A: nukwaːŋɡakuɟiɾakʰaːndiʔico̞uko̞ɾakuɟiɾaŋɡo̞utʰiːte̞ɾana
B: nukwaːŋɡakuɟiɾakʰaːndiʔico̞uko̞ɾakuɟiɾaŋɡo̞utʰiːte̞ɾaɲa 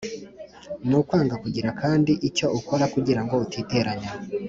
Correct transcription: B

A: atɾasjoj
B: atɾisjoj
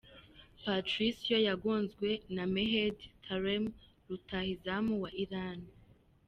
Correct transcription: B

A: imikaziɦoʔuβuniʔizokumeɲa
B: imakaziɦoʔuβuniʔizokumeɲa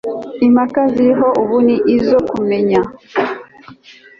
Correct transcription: B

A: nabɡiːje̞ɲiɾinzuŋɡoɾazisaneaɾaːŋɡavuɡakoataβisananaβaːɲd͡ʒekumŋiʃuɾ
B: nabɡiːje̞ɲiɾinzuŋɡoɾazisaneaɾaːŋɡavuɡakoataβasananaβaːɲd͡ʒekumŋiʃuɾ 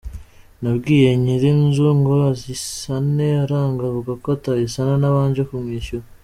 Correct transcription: A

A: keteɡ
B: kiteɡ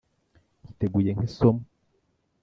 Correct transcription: B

